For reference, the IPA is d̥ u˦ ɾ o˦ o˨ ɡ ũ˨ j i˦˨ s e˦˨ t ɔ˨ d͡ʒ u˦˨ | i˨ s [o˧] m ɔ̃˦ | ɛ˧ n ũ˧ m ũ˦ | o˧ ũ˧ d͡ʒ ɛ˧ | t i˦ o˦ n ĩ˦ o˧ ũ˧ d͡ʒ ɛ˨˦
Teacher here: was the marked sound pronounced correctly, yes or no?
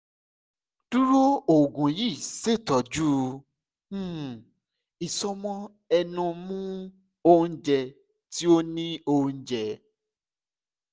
no